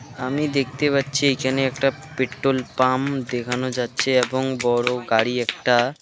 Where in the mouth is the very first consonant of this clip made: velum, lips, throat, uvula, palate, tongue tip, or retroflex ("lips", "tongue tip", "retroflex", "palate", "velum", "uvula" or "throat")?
lips